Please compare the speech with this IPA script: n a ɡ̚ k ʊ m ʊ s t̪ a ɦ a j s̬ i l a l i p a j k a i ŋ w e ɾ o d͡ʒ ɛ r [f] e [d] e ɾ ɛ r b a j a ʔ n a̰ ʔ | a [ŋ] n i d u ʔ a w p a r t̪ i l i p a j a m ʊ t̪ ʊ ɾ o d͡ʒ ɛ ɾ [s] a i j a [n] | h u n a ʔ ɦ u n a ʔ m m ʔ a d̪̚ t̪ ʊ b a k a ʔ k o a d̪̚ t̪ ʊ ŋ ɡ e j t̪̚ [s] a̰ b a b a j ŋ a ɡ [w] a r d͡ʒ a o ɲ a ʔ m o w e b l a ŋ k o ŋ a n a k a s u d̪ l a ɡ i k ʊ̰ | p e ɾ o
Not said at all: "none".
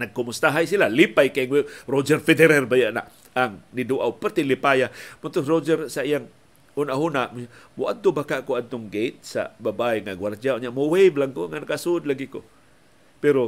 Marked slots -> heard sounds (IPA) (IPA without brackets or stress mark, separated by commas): f, d, ŋ, s, ŋ, s, w